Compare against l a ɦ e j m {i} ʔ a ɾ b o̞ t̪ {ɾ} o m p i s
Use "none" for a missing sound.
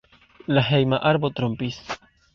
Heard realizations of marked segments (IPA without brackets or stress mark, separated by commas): a, ɾ